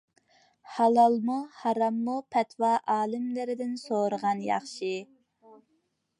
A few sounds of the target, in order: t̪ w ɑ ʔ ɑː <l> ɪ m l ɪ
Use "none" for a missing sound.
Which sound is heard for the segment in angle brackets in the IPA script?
l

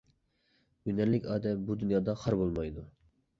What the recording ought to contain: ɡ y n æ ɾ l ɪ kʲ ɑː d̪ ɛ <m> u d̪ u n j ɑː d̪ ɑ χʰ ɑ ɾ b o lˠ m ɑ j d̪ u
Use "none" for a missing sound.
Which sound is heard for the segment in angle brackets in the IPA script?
b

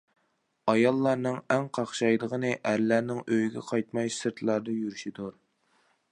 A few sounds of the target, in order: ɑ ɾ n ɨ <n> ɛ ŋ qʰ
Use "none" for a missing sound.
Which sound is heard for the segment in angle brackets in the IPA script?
ŋ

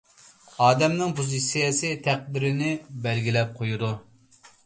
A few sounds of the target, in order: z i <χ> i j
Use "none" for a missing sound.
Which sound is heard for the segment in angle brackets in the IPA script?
s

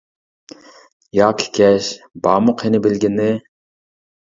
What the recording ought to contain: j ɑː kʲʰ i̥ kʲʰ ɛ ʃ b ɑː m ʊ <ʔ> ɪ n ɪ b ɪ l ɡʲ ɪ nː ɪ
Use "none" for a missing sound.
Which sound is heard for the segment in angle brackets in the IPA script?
q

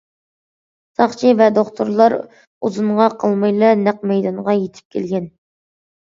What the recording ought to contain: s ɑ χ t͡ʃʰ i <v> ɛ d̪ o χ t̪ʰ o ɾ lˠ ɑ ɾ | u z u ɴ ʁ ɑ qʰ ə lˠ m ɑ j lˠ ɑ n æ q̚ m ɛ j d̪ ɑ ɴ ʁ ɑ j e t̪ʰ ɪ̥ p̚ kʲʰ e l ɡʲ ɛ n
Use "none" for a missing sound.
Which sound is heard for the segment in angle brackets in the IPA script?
v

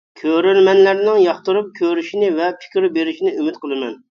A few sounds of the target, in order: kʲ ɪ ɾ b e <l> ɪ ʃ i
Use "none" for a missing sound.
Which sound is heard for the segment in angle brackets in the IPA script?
ɾ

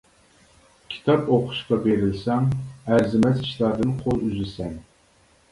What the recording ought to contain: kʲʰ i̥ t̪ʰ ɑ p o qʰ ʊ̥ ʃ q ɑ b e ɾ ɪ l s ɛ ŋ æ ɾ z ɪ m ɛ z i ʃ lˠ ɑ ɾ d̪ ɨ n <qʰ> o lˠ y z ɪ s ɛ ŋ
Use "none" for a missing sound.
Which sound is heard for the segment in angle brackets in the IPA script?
qʰ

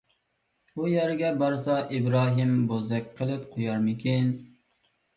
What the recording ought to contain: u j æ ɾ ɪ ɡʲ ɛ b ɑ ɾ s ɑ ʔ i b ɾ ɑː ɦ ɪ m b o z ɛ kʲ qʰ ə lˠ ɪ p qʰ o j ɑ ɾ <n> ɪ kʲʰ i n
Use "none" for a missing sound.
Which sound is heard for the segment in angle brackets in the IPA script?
m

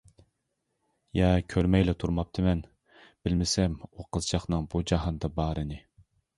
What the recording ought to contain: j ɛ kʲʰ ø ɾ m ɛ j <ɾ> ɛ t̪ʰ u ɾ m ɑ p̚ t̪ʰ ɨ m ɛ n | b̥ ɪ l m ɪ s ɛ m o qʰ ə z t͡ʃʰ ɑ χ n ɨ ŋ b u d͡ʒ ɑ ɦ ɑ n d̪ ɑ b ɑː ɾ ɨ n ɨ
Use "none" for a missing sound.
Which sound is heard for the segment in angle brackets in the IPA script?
l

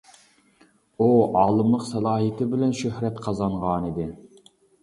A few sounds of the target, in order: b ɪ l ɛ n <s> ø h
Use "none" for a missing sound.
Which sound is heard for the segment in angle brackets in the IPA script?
ʃ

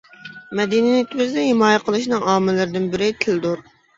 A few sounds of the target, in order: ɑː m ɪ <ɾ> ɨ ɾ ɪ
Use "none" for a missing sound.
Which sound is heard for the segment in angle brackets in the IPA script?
l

